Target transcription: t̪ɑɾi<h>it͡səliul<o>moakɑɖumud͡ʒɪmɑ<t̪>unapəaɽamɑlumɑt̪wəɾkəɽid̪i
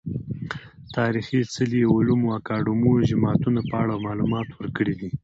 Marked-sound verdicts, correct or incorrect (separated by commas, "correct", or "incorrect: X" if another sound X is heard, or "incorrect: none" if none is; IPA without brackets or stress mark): incorrect: x, incorrect: u, correct